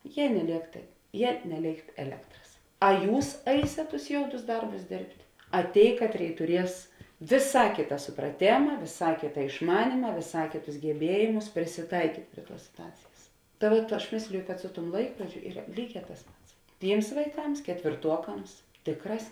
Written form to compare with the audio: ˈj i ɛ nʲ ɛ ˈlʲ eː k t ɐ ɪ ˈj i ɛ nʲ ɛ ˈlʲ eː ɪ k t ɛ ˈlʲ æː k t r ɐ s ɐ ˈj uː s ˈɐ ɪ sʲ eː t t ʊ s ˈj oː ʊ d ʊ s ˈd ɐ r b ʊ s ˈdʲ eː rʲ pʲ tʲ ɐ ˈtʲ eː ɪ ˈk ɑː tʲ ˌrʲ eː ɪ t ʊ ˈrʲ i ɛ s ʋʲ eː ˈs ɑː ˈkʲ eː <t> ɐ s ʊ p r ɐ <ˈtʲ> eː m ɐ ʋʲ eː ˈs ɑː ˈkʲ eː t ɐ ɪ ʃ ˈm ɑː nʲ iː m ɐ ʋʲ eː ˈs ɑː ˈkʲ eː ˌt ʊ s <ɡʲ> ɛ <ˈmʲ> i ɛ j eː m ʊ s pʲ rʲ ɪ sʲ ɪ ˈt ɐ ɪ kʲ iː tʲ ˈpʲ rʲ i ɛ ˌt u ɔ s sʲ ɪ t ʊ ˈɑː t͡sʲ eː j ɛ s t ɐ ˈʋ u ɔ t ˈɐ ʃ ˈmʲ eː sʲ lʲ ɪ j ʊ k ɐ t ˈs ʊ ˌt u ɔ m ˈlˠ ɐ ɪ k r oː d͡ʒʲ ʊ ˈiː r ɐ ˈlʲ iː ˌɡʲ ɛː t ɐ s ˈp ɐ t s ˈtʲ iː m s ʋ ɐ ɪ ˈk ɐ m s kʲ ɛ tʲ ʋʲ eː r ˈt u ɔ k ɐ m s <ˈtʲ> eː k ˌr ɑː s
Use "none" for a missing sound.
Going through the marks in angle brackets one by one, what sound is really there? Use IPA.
t, tʲ, ɡʲ, bʲ, tʲ

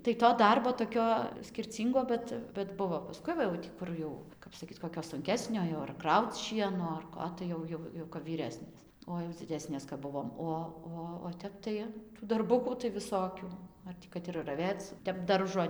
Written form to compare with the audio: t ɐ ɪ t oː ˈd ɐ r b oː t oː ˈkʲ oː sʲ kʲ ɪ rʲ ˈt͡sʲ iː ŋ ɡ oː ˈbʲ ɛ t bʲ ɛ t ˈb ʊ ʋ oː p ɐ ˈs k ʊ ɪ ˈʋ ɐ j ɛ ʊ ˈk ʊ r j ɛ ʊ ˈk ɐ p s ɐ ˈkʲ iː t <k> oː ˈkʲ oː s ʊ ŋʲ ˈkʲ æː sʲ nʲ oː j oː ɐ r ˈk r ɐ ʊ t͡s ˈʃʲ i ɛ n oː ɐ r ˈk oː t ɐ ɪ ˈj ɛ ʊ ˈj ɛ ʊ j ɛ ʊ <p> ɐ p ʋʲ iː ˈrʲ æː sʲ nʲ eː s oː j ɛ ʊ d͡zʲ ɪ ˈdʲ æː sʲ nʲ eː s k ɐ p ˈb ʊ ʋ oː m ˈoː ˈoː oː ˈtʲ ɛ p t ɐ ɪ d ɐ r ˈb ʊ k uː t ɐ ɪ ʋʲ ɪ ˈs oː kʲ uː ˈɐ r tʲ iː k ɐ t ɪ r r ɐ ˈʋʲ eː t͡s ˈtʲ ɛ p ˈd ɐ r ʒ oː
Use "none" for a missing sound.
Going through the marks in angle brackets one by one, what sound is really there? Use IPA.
k, k

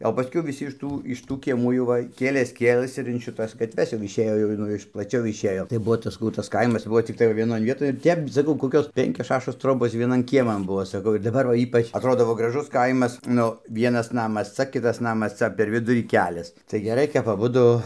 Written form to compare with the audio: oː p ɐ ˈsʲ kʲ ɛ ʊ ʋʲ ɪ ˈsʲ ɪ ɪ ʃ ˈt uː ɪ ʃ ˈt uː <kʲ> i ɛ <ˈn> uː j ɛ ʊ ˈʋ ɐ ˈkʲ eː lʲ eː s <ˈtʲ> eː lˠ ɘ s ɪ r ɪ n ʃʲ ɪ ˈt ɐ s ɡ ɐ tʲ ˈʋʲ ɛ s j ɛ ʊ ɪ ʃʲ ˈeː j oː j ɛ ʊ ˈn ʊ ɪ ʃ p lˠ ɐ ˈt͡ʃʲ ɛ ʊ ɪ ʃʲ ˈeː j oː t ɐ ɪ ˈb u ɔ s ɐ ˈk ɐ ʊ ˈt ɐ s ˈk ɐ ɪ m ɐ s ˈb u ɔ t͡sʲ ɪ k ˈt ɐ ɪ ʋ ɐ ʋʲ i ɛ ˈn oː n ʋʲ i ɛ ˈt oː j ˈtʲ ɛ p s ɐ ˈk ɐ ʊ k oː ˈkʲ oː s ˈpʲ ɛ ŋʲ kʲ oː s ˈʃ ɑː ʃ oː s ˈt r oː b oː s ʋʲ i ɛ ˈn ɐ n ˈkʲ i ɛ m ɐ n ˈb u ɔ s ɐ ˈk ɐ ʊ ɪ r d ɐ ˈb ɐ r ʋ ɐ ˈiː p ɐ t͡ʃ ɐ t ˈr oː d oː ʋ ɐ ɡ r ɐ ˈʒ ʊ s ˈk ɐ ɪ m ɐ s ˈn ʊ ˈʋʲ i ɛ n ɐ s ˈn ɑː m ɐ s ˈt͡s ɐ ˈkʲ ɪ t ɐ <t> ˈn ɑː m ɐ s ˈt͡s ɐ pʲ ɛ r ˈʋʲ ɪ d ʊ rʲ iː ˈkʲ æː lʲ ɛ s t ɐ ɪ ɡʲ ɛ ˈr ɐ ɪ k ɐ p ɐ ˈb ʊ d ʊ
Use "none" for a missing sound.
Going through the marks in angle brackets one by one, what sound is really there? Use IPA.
kʲ, m, kʲ, s

